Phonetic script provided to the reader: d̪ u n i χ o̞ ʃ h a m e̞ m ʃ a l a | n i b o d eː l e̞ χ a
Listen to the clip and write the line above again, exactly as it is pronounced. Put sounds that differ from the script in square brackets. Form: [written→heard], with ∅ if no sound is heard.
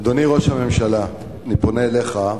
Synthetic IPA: d̪ [u→o] n i [χ→ʁ] o̞ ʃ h a m e̞ m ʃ a l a | n i [b→p] o [d→n] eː l e̞ χ a